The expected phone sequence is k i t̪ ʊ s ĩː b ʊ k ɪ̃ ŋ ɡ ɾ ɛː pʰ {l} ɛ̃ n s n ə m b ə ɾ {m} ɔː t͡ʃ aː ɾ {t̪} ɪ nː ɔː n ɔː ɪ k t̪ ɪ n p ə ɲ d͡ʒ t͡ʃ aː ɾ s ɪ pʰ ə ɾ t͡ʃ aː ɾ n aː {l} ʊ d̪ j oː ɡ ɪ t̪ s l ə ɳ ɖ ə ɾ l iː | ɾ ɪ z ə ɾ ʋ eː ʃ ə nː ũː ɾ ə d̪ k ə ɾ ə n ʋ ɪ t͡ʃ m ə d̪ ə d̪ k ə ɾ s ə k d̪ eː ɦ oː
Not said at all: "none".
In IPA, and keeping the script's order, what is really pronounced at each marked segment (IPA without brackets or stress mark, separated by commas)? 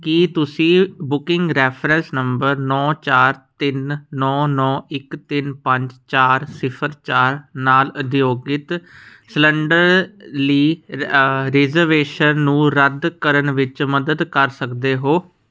ɾ, n, t̪, l